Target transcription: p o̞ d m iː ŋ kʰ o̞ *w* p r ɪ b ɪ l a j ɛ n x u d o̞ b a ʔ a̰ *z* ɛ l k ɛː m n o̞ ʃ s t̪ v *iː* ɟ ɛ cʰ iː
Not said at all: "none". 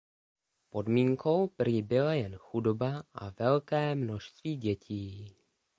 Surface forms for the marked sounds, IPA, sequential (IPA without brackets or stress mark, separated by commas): w, v, iː